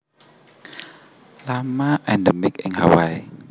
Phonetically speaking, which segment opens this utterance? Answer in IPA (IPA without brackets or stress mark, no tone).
l